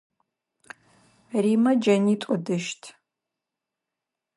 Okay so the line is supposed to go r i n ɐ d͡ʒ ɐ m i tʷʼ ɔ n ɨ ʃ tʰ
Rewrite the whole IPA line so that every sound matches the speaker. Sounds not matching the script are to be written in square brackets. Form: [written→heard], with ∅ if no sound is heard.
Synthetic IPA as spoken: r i [n→m] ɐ d͡ʒ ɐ [m→n] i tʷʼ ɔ [n→d] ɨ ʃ tʰ